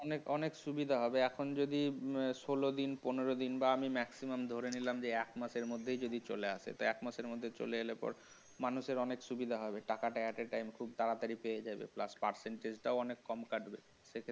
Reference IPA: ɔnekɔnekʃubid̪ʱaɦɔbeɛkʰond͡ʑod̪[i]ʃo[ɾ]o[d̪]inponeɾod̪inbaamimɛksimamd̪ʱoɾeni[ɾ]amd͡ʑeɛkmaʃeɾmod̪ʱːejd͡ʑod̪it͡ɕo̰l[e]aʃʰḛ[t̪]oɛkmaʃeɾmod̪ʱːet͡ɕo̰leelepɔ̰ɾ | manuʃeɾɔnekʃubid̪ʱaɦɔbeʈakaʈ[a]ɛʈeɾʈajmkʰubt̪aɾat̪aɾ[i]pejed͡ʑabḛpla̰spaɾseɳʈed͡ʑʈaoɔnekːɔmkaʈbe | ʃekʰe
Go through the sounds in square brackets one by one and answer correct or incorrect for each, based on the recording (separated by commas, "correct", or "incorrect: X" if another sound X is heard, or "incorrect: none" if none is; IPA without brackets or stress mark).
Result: correct, incorrect: l, correct, incorrect: l, correct, correct, correct, correct